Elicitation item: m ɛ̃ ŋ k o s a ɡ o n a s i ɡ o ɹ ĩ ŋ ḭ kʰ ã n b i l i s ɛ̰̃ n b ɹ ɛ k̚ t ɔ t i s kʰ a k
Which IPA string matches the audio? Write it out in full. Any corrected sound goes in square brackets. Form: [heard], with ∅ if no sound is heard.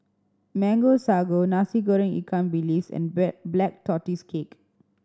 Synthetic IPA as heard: m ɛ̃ ŋ [ɡ] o s a ɡ o n a s i ɡ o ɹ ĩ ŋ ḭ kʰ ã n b i l i s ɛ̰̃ n b [l] ɛ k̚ t ɔ t i s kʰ [e] k